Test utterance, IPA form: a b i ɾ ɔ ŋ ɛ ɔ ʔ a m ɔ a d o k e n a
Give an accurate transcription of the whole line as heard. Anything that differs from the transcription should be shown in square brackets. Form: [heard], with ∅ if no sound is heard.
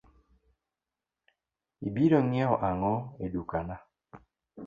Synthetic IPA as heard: [i] b i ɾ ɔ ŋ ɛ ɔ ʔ a [ŋ] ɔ [e] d [u] k [a] n a